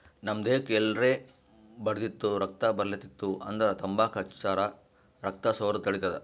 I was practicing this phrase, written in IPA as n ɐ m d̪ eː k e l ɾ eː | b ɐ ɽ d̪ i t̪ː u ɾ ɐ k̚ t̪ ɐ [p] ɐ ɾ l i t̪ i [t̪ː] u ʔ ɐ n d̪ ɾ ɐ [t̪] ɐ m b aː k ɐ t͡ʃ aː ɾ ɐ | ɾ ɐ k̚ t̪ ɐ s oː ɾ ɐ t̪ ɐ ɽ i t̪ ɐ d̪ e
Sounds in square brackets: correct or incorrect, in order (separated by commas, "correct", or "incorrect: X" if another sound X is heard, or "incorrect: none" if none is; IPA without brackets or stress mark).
incorrect: b, correct, correct